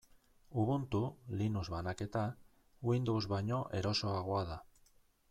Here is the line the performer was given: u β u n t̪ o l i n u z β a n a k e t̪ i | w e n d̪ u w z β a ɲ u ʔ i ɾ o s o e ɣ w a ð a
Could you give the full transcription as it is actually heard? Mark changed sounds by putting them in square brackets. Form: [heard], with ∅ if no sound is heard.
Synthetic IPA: u β u n t̪ [u] l i n u z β a n a k e t̪ [a] | w [i] n d̪ [o] w z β a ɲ [o] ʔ [e] ɾ o s o [a] ɣ w a ð a